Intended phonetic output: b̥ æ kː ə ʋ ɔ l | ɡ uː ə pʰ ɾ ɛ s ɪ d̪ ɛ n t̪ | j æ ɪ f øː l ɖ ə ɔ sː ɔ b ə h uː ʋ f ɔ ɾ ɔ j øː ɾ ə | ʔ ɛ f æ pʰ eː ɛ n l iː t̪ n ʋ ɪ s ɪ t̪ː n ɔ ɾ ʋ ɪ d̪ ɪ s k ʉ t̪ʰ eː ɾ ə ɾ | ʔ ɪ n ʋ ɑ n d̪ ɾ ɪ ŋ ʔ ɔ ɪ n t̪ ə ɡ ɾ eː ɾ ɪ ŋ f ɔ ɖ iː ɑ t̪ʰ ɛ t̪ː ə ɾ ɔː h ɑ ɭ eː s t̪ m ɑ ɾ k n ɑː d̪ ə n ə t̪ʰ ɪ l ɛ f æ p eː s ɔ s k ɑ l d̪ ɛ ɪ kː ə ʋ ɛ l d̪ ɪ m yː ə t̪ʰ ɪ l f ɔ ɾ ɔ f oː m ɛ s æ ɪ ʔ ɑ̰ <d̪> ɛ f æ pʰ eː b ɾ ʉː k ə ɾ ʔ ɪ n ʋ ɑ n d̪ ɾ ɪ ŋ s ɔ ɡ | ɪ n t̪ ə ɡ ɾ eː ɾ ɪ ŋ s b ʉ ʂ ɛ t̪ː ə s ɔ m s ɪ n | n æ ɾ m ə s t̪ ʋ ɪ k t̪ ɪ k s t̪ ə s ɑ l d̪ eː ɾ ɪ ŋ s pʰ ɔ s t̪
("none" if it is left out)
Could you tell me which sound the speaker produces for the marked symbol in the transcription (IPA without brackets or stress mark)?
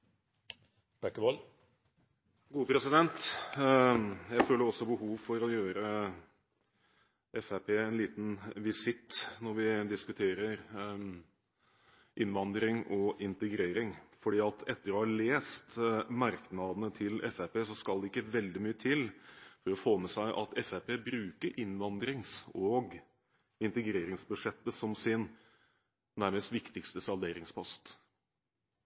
t̪